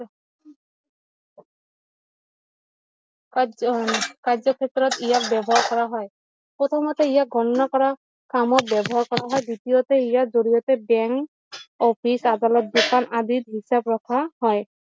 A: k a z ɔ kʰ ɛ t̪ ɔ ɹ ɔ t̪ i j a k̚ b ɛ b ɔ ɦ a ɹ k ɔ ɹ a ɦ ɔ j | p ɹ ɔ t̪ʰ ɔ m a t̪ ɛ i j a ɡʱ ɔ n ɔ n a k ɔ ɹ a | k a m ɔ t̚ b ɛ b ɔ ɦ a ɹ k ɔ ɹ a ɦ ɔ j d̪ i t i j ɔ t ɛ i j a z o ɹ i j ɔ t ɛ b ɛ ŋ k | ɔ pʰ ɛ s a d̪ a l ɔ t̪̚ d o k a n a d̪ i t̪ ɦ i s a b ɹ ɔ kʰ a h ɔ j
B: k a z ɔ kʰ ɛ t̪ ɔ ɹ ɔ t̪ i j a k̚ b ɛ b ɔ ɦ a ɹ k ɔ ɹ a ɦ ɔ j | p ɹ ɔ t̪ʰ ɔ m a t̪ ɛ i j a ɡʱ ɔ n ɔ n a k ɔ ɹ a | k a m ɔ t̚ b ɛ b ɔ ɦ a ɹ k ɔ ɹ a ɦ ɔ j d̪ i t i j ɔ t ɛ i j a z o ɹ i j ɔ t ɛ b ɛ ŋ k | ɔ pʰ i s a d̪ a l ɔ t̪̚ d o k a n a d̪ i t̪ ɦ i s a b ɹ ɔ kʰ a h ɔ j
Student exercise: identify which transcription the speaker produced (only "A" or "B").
B